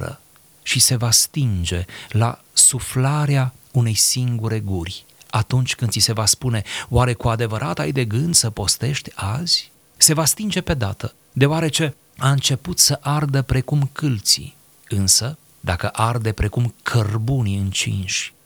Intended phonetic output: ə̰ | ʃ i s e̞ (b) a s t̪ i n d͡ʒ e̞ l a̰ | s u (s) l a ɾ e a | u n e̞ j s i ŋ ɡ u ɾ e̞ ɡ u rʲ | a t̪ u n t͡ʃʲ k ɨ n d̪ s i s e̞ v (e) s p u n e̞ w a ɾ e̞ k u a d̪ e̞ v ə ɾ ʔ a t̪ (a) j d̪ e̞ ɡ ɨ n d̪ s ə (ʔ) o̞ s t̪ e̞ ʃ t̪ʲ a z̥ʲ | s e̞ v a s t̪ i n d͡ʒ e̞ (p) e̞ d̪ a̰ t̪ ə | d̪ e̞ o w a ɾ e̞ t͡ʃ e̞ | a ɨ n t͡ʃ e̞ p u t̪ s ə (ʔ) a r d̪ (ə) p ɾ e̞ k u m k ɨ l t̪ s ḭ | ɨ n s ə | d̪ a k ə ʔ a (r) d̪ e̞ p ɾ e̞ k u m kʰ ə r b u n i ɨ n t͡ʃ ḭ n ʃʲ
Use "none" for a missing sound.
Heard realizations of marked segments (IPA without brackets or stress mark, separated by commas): v, f, a, a, p, p, ʔ, ə, r